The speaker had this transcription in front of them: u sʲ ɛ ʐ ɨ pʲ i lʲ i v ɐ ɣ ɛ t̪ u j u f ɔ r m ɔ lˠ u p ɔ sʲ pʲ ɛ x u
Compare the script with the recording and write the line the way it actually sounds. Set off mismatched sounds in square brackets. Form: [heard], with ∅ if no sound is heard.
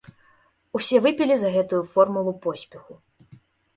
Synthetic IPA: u sʲ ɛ [v] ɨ pʲ i lʲ i [z] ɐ ɣ ɛ t̪ u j u f ɔ r m [u] lˠ u p ɔ sʲ pʲ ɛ x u